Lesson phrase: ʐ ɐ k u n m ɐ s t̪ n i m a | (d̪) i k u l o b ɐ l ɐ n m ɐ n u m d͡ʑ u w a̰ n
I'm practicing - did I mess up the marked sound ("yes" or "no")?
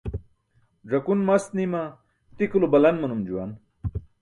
yes